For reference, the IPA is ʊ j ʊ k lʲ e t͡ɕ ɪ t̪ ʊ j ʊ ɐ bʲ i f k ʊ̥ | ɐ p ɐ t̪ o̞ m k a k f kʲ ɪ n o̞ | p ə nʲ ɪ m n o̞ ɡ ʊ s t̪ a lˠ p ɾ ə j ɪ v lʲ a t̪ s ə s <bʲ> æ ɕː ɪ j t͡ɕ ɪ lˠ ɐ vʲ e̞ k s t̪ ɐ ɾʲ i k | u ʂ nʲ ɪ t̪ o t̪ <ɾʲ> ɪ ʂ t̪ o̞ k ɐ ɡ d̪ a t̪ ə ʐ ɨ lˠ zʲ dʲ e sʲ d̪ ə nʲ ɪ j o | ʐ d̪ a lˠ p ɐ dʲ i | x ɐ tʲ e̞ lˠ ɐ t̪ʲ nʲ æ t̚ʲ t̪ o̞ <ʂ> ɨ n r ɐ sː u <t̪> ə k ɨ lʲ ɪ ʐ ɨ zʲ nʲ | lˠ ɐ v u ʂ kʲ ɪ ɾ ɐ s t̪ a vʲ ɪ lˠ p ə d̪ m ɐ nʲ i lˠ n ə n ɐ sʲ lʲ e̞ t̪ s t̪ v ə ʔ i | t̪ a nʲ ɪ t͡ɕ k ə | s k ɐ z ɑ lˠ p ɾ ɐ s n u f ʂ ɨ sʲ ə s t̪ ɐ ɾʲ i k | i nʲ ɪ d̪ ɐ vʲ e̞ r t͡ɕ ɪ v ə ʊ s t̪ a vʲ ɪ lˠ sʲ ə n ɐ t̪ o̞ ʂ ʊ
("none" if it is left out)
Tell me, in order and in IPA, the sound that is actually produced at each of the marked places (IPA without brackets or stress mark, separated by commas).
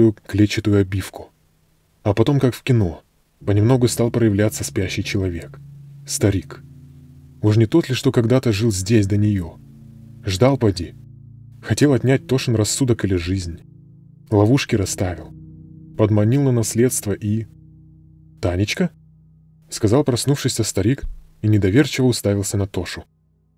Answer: pʲ, lʲ, ʂ, d̪